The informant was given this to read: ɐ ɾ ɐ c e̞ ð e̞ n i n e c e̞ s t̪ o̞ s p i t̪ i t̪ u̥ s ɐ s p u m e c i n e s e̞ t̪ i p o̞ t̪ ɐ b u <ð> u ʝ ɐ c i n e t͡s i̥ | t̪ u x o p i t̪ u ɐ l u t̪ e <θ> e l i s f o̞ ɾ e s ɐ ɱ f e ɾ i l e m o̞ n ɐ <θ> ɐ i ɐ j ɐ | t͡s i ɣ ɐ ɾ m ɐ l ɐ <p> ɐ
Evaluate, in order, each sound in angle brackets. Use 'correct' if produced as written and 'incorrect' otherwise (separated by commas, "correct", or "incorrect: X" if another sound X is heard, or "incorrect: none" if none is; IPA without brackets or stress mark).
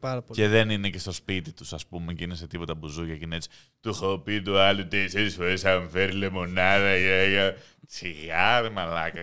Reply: incorrect: z, incorrect: s, incorrect: ð, incorrect: k